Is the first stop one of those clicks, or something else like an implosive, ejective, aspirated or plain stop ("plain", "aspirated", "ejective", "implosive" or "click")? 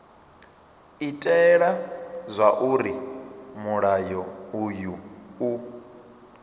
ejective